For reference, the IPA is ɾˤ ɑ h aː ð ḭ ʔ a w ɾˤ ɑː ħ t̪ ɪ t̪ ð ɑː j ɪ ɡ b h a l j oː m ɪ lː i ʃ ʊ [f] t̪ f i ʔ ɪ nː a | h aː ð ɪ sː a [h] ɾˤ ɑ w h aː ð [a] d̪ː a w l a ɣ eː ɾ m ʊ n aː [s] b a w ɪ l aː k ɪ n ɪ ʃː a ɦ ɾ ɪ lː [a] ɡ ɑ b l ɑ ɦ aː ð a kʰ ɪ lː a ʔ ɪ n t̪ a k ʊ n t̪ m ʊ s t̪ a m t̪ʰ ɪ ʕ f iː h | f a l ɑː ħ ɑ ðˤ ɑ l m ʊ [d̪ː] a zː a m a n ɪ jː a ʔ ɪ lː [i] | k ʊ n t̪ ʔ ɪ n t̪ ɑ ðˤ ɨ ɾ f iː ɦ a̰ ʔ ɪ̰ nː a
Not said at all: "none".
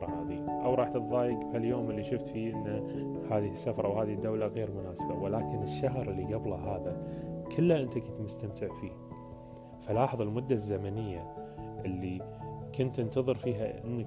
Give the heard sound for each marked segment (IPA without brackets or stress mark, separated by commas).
f, f, i, s, i, d̪ː, i